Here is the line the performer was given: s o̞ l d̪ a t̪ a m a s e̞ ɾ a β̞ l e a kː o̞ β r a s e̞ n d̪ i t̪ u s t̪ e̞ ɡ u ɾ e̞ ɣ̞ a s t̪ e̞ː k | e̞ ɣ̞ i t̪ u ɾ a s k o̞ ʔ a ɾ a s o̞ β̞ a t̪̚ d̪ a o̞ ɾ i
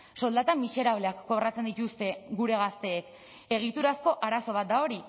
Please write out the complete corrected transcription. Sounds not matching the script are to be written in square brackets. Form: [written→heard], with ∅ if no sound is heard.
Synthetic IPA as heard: s o̞ l d̪ a t̪ a m [a→i] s e̞ ɾ a β̞ l e a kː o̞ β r a [s→t͡s] e̞ n d̪ i t̪ u s t̪ e̞ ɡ u ɾ e̞ ɣ̞ a s t̪ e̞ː k | e̞ ɣ̞ i t̪ u ɾ a s k o̞ ʔ a ɾ a s o̞ β̞ a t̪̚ d̪ a o̞ ɾ i